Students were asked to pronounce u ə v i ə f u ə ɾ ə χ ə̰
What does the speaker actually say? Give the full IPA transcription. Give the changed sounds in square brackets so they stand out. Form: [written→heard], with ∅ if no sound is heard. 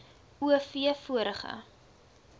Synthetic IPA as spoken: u ə [v→f] i ə f u ə ɾ ə χ ə̰